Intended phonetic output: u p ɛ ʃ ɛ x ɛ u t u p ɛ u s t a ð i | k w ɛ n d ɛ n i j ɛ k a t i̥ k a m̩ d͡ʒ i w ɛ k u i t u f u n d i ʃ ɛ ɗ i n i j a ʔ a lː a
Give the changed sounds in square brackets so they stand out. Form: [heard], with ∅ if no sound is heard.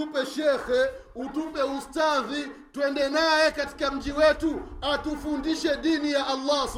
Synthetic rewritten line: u p ɛ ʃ ɛ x ɛ u t u p ɛ u s t a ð i | [t] w ɛ n d ɛ n [a] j ɛ k a t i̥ k a m̩ d͡ʒ i w ɛ [t] u [a] t u f u n d i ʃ ɛ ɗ i n i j a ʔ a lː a